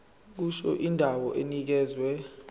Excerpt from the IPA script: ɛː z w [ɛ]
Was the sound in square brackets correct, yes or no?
yes